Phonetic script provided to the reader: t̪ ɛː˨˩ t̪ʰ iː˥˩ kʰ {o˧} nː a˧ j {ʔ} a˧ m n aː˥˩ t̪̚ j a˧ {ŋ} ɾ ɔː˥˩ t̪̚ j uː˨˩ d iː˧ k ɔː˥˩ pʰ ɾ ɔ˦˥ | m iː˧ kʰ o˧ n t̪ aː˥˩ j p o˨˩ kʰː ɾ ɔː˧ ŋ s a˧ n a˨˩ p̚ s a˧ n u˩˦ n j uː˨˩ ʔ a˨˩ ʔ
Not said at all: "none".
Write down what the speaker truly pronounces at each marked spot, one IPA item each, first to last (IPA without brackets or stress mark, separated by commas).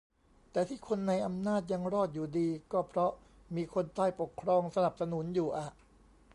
o˧, ʔ, ŋ